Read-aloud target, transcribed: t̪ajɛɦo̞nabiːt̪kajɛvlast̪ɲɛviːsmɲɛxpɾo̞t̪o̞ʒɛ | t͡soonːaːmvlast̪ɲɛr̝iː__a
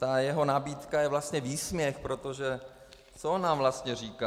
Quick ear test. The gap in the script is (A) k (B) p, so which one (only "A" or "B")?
A